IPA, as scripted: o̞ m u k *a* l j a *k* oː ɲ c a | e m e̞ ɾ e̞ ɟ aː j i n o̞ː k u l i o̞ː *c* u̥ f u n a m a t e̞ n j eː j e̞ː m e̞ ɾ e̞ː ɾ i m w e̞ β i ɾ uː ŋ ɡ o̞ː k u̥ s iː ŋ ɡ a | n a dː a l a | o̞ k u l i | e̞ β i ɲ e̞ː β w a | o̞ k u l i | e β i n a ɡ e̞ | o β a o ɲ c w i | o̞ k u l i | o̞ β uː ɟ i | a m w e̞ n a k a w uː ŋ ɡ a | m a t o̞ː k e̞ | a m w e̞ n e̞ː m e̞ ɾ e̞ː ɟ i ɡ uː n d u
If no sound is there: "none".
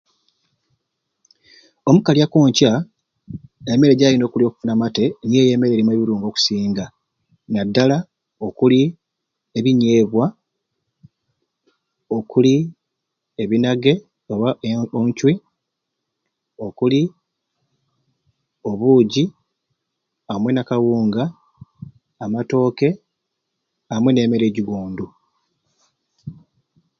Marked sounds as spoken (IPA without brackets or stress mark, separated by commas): a, k, k